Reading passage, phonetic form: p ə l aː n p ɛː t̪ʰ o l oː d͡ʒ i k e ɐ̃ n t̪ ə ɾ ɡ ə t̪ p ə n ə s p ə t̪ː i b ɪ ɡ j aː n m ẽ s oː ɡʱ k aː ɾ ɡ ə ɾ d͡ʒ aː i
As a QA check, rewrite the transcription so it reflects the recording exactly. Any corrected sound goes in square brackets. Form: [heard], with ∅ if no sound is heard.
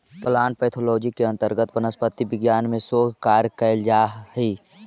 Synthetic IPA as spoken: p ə l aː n p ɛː t̪ʰ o l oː d͡ʒ i k e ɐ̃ n t̪ ə ɾ ɡ ə t̪ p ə n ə s p ə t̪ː i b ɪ ɡ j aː n m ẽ s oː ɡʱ k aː ɾ [k] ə [l] d͡ʒ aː i